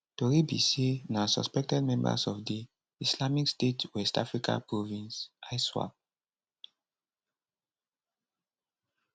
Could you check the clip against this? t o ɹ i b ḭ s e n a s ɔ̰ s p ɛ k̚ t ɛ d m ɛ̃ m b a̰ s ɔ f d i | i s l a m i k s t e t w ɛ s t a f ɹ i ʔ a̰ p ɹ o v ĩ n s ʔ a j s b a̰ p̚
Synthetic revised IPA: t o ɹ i b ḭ s e n a s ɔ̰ s p ɛ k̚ t ɛ d m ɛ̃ m b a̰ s ɔ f d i | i s l a m i k s t e t w ɛ s t a f ɹ i k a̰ p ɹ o v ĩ n s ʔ a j s w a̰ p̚